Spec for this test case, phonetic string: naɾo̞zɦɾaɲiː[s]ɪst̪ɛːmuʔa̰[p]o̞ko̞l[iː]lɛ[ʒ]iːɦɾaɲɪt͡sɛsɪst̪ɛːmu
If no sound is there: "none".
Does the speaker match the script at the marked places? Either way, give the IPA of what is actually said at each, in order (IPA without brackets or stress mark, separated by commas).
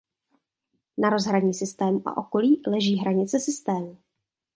s, ʔ, iː, ʒ